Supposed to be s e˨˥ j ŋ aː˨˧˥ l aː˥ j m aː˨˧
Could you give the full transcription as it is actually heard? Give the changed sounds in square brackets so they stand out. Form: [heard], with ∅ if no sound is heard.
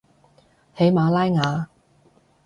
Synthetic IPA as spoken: [h] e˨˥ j [m] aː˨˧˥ l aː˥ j [ŋ] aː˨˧